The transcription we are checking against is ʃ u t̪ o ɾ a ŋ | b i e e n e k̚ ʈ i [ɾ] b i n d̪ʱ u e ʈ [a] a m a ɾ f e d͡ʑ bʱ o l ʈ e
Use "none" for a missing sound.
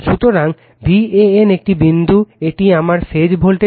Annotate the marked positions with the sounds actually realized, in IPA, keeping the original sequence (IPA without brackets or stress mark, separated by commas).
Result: none, i